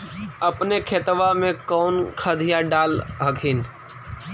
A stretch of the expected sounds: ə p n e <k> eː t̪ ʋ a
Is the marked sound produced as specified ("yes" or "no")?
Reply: no